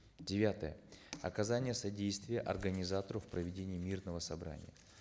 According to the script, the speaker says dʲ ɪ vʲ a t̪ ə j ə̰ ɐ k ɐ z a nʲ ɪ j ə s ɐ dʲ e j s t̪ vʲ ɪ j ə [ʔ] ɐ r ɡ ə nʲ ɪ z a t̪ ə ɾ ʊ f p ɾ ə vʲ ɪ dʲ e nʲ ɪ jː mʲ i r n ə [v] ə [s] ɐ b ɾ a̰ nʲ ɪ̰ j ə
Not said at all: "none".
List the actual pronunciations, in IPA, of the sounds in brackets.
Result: ʔ, v, s

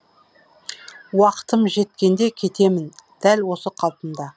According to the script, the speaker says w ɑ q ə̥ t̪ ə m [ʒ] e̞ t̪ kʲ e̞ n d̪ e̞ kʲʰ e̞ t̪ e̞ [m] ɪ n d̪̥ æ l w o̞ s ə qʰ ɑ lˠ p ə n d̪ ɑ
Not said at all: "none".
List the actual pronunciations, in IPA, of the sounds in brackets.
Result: ʒ, m

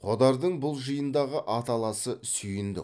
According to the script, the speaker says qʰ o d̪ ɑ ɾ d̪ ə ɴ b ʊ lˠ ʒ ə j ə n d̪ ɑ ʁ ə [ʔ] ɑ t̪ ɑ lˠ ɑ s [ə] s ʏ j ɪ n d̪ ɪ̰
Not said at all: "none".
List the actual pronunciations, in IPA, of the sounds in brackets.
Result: ʔ, ə

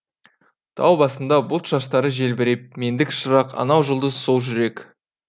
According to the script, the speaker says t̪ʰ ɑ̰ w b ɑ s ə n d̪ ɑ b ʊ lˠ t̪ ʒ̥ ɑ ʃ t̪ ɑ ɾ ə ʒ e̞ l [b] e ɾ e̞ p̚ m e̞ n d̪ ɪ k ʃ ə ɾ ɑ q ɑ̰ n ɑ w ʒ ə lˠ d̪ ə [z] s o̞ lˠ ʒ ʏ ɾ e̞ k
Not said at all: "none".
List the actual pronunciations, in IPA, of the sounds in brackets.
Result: b, z

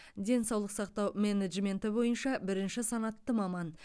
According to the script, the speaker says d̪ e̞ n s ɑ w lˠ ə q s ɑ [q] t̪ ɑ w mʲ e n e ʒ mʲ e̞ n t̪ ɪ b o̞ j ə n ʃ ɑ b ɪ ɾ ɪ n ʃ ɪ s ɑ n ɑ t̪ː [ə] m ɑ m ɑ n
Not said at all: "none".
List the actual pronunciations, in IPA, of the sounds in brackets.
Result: q, ə

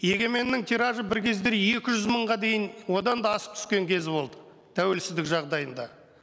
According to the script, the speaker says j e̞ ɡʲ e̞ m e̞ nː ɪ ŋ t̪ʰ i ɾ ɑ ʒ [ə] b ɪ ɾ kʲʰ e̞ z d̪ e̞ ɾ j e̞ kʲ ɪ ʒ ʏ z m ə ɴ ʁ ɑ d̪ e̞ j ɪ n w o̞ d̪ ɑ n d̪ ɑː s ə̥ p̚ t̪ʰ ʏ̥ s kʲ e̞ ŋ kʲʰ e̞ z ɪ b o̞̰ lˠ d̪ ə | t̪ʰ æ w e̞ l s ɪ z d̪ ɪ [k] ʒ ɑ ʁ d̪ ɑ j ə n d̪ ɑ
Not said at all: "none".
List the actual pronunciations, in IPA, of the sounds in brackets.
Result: ə, k

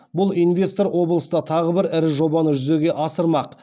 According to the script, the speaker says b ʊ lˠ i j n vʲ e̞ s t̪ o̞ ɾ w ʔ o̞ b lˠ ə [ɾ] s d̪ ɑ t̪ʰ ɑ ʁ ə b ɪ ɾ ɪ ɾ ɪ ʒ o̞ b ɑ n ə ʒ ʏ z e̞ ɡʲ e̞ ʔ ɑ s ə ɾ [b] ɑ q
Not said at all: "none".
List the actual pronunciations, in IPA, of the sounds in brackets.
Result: none, m

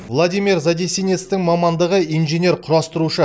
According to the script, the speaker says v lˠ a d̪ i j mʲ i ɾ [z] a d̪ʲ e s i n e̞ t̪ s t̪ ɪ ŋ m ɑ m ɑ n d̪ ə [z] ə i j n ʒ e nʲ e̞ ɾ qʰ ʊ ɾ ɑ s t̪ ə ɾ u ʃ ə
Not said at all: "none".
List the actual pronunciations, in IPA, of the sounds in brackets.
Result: z, ʁ

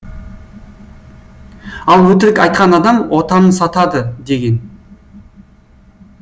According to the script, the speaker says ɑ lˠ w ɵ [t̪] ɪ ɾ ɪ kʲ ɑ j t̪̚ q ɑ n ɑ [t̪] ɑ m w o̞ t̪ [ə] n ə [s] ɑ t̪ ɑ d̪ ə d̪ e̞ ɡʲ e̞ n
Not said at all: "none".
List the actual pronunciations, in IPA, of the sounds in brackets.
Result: t̪, d̪, ɑ, s

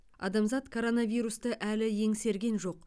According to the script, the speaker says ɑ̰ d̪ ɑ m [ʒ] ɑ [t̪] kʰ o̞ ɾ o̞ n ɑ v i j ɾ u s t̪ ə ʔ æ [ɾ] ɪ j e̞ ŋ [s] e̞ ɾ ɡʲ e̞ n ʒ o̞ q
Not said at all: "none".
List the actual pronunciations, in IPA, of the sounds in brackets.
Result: z, t̪, l, s

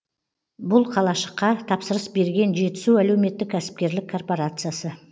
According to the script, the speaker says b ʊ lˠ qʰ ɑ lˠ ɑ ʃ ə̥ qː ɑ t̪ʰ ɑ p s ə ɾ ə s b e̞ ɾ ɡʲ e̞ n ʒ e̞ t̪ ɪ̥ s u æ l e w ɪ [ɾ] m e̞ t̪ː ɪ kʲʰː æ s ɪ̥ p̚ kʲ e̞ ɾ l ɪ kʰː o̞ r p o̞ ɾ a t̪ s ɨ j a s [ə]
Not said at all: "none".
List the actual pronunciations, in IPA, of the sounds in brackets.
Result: none, ə

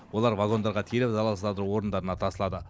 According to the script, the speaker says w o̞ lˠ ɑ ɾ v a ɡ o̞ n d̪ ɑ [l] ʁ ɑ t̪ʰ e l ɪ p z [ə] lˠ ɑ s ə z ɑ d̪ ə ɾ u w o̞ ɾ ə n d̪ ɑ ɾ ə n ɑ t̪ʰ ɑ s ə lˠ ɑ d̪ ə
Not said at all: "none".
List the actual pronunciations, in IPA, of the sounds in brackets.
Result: ɾ, ɑ

